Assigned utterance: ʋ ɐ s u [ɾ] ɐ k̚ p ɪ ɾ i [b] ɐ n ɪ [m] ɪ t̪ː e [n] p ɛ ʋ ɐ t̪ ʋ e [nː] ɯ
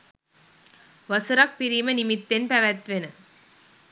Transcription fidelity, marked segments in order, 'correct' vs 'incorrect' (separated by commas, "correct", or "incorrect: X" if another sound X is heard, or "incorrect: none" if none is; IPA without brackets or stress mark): correct, incorrect: m, correct, correct, incorrect: n